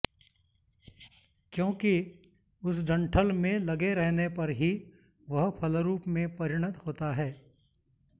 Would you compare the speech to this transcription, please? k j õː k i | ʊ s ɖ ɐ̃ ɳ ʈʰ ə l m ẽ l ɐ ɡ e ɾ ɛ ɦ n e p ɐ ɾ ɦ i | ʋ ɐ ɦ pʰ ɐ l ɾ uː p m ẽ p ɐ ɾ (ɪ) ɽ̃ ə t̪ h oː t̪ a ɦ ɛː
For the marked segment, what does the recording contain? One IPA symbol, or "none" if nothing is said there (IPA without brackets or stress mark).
ɪ